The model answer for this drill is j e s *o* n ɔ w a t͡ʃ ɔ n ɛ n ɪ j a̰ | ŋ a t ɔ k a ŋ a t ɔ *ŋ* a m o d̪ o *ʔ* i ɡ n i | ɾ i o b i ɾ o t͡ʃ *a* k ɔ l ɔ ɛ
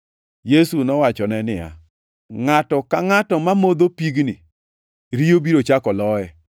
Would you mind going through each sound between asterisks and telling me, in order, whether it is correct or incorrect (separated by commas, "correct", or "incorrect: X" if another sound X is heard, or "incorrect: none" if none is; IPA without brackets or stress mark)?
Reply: incorrect: u, incorrect: m, incorrect: p, correct